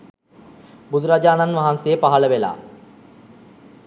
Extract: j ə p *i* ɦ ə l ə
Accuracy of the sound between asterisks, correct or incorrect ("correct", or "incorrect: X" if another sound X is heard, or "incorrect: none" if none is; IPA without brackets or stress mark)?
incorrect: a